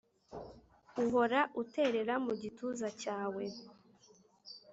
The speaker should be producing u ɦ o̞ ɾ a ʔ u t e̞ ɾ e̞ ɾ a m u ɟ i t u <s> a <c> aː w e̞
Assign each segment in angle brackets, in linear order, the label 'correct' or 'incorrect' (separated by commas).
incorrect, correct